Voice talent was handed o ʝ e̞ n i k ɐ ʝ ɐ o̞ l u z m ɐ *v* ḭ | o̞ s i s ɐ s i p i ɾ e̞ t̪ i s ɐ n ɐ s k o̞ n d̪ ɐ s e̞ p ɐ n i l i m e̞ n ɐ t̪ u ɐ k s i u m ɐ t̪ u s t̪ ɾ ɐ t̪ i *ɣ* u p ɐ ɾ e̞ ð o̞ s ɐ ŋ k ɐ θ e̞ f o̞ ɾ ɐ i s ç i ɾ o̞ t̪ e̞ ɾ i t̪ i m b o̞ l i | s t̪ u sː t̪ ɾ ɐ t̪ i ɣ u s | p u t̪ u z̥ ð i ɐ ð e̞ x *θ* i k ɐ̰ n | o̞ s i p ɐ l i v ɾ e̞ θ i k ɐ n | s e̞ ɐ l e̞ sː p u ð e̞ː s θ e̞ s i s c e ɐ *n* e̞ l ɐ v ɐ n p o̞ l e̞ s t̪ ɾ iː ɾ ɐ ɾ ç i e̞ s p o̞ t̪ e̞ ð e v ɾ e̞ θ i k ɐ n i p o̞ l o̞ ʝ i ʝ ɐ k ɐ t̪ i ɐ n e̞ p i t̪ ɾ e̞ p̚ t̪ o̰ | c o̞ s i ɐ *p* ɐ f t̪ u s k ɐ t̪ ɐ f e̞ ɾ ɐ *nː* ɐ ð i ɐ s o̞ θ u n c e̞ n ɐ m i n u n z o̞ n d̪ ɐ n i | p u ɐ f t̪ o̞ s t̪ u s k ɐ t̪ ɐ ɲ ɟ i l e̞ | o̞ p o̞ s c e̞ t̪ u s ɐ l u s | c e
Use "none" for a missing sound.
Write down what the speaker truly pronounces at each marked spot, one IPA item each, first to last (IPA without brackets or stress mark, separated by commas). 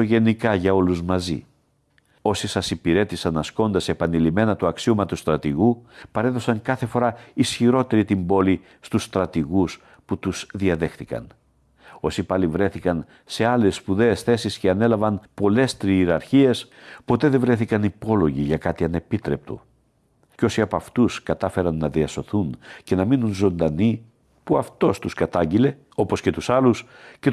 z, ɣ, θ, n, p, nː